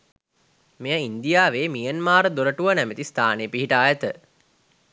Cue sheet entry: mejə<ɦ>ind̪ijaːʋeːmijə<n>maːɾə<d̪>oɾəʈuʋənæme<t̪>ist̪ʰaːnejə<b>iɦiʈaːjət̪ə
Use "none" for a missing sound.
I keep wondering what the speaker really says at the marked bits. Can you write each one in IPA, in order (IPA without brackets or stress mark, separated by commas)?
none, n, d̪, t̪, p